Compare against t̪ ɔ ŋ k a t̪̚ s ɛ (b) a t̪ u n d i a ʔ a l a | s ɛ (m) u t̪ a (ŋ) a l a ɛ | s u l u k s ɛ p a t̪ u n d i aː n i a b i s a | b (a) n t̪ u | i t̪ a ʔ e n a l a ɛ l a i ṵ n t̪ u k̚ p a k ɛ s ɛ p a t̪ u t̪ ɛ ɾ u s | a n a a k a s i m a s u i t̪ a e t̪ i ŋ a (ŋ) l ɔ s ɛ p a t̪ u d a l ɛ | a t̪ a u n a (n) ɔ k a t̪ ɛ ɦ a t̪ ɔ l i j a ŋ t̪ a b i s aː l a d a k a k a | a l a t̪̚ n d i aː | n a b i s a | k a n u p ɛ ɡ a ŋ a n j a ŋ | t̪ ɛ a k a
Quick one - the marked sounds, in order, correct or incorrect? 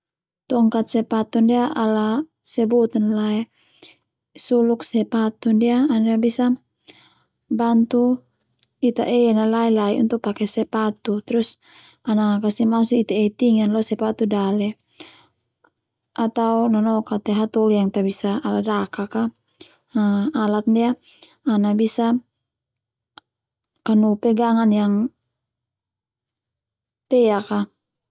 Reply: incorrect: p, incorrect: b, incorrect: n, correct, incorrect: n, correct

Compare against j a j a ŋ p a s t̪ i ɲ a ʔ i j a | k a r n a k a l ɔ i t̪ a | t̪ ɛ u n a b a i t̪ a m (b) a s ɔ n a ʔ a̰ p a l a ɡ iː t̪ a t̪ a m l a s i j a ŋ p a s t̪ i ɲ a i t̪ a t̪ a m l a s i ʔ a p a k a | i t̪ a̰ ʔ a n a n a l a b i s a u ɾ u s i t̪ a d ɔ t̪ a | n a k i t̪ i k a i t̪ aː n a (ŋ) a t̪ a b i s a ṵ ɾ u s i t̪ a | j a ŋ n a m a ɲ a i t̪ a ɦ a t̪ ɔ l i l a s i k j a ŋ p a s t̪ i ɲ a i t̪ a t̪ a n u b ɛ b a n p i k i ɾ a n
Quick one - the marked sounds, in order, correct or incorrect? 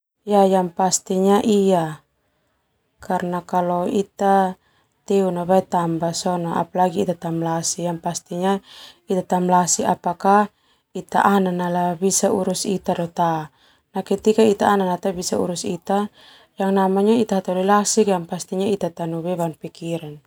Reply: correct, incorrect: n

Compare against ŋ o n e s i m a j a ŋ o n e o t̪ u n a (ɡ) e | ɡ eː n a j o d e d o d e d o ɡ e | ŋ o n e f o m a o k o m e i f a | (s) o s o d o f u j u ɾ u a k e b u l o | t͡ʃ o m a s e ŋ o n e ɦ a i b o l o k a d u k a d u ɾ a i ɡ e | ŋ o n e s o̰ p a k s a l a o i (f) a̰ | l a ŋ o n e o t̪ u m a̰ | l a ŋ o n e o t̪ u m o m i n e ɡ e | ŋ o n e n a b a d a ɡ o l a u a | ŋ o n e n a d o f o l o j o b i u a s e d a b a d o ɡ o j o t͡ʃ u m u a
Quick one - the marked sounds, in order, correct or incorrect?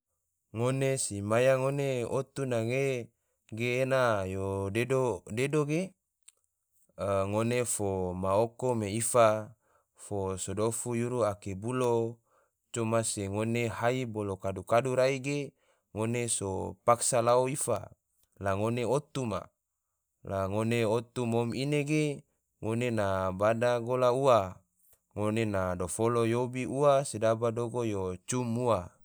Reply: incorrect: ŋ, incorrect: f, correct

